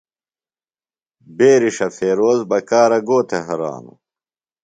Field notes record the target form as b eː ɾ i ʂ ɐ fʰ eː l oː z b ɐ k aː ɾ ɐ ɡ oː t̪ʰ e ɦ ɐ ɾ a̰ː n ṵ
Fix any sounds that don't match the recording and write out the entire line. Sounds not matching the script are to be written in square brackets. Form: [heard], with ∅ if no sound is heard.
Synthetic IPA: b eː ɾ i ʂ ɐ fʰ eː [ɾ] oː z b ɐ k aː ɾ ɐ ɡ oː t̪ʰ e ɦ ɐ ɾ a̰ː n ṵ